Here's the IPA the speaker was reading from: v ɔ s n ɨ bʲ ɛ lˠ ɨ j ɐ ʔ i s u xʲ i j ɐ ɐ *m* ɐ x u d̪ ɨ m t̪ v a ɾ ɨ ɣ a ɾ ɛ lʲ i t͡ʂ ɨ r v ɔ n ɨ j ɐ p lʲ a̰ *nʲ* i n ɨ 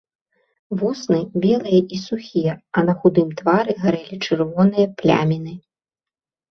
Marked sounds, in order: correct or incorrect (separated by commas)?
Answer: incorrect, incorrect